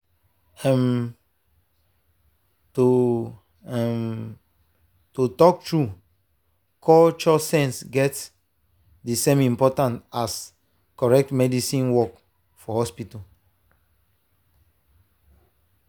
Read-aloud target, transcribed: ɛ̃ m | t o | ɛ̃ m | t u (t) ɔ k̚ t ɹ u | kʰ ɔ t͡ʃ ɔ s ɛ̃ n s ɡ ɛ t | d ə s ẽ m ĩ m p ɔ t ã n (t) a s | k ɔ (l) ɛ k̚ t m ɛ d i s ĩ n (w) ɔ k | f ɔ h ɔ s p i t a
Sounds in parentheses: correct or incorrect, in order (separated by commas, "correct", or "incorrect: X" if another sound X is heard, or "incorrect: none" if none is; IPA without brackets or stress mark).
correct, correct, incorrect: ɹ, correct